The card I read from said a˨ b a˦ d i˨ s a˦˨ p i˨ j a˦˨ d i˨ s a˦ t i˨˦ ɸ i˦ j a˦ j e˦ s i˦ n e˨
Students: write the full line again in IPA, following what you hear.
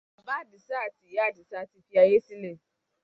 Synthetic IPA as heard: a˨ b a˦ d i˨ s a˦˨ t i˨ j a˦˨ d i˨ s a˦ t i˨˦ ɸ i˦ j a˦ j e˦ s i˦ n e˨